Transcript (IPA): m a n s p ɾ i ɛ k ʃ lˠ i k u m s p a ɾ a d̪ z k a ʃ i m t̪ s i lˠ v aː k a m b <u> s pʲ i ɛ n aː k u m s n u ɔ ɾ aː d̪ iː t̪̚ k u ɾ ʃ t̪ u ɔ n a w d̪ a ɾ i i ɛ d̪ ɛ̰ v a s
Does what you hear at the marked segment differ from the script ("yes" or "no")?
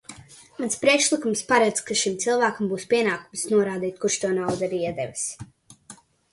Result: yes